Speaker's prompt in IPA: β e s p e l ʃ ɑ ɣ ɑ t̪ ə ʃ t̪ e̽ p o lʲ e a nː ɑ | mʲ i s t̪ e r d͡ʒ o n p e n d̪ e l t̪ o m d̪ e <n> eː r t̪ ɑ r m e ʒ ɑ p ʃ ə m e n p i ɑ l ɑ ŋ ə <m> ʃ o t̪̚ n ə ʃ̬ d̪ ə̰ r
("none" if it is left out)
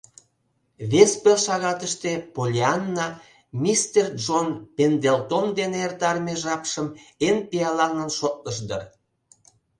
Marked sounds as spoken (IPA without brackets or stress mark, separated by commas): n, n